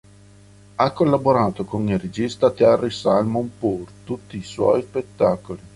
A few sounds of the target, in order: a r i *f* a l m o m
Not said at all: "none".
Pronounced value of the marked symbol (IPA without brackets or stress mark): s